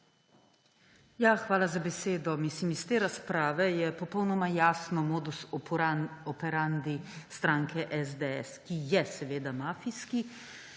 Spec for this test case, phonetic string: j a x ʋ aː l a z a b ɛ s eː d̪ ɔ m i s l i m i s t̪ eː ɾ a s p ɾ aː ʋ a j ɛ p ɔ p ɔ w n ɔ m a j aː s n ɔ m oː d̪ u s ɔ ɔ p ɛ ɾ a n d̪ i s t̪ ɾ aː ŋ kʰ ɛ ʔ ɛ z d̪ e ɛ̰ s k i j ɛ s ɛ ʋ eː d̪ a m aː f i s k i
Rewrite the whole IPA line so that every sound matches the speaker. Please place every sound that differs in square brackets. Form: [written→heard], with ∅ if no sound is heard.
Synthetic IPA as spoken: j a x ʋ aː l a z a b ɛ s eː d̪ ɔ m i s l i m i s t̪ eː ɾ a s p ɾ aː ʋ [a→ɛ] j ɛ p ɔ p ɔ w n ɔ m a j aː s n ɔ m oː d̪ u s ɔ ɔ p ɛ ɾ a n d̪ i s t̪ ɾ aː ŋ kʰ ɛ ʔ ɛ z d̪ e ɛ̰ s k i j ɛ s ɛ ʋ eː d̪ a m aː f i s k i